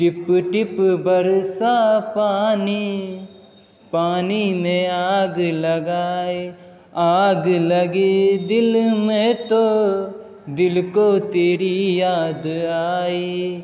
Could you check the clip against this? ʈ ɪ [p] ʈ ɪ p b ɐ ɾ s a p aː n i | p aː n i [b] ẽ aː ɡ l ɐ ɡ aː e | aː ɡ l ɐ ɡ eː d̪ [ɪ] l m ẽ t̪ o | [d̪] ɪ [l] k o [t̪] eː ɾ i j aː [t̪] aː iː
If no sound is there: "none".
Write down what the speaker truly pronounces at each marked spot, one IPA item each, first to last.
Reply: p, m, ɪ, d̪, l, t̪, d̪

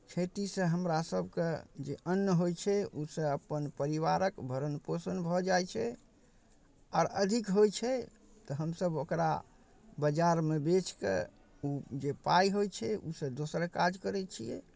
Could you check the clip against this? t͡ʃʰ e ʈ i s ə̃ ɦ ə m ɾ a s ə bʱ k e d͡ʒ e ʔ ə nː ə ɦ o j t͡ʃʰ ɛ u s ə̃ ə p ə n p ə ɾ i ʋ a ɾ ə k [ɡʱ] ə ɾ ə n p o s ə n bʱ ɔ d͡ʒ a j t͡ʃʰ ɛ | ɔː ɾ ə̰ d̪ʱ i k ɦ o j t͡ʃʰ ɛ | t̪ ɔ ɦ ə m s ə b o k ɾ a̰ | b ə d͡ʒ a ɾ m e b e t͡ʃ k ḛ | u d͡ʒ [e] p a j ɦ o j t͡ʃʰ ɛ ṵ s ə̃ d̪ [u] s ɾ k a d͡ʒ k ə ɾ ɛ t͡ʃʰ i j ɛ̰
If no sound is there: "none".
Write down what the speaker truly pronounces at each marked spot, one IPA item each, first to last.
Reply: bʱ, e, o

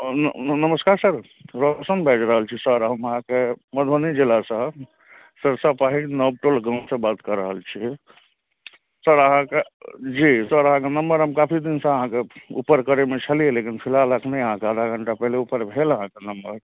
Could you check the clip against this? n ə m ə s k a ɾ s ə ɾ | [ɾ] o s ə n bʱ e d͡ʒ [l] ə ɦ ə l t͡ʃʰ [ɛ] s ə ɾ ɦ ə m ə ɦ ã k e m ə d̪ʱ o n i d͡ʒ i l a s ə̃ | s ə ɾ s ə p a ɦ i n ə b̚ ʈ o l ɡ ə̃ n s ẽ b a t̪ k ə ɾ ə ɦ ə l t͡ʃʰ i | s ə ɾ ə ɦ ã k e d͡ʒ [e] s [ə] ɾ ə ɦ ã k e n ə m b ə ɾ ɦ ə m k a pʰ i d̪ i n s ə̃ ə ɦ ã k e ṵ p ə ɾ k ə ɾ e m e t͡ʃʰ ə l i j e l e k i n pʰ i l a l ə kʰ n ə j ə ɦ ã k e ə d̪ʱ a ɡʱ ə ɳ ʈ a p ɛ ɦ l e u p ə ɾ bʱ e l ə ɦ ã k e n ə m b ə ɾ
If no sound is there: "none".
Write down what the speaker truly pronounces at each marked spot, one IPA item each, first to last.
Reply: ɾ, ɾ, i, i, ə

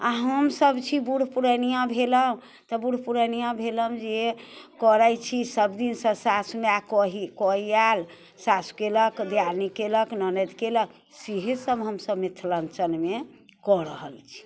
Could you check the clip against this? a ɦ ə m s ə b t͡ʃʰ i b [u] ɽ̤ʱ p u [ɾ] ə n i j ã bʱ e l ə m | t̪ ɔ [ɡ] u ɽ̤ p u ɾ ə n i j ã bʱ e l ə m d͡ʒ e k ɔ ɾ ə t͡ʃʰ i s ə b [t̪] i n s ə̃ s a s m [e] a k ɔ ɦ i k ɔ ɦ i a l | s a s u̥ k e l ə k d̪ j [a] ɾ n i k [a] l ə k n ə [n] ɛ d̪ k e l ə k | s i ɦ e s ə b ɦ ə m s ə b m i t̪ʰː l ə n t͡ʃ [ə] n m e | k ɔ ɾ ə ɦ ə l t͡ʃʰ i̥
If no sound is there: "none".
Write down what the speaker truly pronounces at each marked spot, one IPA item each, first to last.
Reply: u, ɾ, b, d̪, e, a, e, n, ə

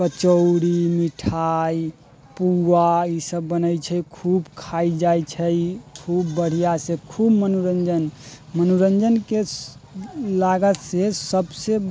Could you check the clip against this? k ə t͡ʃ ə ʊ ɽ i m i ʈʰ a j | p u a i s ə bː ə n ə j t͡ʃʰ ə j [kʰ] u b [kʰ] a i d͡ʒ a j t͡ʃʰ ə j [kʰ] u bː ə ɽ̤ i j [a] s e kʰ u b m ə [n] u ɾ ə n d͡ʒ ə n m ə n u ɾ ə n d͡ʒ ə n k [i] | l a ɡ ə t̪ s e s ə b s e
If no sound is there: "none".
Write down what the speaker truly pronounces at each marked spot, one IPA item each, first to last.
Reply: kʰ, kʰ, kʰ, a, n, e

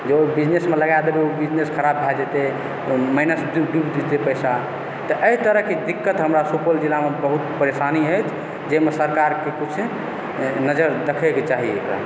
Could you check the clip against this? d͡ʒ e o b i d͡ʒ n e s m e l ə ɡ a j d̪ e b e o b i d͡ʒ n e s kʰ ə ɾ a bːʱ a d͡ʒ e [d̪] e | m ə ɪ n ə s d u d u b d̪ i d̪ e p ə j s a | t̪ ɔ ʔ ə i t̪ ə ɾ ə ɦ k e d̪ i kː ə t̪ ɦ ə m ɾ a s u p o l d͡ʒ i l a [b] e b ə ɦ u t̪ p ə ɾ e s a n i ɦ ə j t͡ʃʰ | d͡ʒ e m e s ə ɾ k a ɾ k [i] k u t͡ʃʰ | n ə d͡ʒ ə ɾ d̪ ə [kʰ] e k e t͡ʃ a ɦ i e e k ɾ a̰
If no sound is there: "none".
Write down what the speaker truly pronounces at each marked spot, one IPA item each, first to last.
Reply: t̪, m, e, kʰ

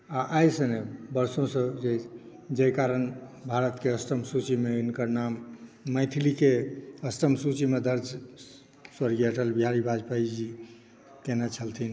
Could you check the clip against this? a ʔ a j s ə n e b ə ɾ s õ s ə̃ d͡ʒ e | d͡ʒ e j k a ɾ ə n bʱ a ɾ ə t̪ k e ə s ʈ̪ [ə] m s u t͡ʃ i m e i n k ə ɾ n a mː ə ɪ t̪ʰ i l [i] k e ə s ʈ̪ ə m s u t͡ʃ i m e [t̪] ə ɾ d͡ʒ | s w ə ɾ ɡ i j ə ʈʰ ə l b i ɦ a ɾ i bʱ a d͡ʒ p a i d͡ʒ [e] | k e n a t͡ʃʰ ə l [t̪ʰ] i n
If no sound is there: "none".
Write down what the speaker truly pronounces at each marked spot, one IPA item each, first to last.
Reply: ə, i, d̪, i, t̪ʰ

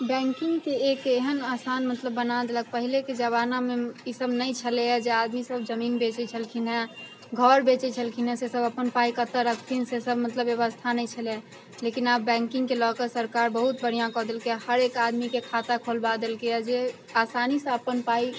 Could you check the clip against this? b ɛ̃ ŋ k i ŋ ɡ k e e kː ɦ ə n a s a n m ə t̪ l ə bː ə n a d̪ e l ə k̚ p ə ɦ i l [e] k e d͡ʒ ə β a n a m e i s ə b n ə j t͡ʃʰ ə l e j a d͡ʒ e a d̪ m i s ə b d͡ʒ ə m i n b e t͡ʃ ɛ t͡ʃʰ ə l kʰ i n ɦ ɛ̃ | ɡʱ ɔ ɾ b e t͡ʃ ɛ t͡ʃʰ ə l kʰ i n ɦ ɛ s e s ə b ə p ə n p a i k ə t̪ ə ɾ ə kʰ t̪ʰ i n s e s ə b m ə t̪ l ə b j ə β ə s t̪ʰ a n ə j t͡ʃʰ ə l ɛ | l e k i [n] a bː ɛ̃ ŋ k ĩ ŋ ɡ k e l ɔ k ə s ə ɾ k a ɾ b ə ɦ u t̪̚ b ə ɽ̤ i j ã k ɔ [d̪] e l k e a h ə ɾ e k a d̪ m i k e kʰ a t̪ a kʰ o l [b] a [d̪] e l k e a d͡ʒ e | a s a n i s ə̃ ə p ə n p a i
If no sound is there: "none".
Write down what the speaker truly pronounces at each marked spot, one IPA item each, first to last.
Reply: e, n, d̪, b, d̪

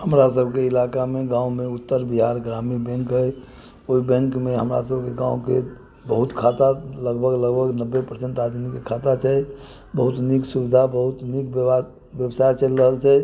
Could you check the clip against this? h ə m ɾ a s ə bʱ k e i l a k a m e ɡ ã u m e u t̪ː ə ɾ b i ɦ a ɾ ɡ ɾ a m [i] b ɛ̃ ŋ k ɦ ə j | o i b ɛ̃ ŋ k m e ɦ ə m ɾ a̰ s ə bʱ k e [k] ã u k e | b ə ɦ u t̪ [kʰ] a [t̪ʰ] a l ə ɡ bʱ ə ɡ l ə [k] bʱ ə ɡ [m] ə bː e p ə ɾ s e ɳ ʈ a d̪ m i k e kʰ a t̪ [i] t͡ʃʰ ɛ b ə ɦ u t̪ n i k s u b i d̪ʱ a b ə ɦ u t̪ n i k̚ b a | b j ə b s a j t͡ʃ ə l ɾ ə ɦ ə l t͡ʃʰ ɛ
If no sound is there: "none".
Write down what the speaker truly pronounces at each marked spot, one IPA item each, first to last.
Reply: i, ɡ, kʰ, t̪, ɡ, n, a

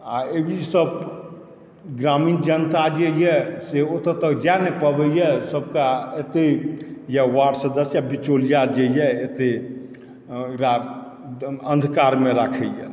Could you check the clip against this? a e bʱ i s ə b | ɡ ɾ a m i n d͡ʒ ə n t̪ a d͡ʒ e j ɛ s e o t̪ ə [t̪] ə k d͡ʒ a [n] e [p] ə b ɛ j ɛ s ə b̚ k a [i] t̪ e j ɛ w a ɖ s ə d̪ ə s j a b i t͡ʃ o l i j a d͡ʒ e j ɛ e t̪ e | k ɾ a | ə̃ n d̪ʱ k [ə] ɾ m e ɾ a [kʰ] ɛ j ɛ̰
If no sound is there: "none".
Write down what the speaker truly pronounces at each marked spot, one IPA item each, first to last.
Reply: t̪, n, p, e, a, kʰ

